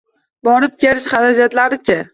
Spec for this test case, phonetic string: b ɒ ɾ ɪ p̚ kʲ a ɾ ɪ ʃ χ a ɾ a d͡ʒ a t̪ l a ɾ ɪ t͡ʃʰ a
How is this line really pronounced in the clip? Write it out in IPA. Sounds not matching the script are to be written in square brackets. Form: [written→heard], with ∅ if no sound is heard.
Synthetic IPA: b ɒ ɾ ɪ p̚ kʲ [a→e] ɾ ɪ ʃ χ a ɾ a d͡ʒ a t̪ l a ɾ ɪ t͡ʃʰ a